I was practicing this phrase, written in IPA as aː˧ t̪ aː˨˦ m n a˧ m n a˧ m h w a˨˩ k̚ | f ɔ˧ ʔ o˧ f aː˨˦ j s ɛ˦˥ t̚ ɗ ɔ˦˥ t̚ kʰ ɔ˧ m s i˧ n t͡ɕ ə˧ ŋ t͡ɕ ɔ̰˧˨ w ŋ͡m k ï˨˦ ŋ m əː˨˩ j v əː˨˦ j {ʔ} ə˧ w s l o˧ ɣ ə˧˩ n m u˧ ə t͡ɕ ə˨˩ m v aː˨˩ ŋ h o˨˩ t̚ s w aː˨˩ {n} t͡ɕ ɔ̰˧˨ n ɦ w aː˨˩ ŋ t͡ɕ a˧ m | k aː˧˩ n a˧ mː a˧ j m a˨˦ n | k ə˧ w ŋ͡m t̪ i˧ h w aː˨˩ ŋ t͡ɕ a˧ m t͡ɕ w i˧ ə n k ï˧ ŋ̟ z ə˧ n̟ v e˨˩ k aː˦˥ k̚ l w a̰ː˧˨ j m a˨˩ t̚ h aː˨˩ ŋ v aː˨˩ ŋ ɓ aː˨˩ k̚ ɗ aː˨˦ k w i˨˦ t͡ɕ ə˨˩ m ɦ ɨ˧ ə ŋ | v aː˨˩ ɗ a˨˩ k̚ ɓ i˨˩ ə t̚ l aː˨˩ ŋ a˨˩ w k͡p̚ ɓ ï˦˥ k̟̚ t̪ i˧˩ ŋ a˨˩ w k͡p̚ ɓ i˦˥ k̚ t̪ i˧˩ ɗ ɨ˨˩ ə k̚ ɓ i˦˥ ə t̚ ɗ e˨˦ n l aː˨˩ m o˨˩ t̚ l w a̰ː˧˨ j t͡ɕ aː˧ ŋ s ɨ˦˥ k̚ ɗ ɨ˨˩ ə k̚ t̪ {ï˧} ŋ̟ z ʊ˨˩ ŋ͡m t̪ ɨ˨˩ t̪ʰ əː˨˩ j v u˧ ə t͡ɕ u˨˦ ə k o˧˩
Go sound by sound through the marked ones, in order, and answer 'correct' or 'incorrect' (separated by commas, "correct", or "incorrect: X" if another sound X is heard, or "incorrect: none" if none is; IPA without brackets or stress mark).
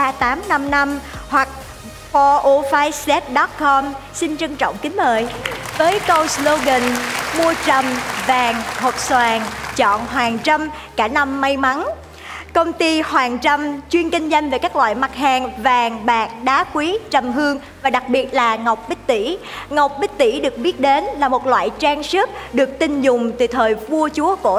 incorrect: k, incorrect: ŋ, correct